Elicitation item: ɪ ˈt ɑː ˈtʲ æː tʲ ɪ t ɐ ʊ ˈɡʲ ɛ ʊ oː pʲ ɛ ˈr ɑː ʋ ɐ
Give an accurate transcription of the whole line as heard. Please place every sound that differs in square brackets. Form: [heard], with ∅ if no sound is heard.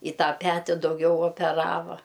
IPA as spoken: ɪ ˈt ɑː [ˈpʲ] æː tʲ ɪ [d] ɐ ʊ ˈɡʲ ɛ ʊ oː pʲ ɛ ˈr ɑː ʋ ɐ

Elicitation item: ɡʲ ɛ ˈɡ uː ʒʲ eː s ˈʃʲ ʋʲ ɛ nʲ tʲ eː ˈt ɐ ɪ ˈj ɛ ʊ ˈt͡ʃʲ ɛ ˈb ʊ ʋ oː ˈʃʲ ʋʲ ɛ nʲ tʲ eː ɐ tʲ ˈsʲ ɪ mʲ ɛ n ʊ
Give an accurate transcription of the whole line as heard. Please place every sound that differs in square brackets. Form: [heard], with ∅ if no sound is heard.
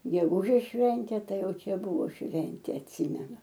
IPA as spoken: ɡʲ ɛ ˈɡ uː ʒʲ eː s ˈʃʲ ʋʲ ɛ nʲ tʲ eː ˈt ɐ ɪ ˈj ɛ ʊ ˈt͡ʃʲ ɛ ˈb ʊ ʋ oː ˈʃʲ ʋʲ ɛ nʲ tʲ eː ɐ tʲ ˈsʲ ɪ mʲ ɛ n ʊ

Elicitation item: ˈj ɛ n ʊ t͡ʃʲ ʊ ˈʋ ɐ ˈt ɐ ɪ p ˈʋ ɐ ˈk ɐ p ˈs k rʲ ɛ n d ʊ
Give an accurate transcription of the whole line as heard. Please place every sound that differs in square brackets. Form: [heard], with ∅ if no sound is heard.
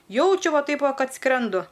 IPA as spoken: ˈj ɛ [∅] ʊ t͡ʃʲ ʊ ˈʋ ɐ ˈt ɐ ɪ p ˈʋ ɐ ˈk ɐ [t] ˈs k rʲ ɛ n d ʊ

